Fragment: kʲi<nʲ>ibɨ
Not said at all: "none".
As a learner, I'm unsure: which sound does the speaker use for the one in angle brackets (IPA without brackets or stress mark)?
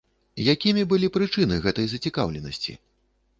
mʲ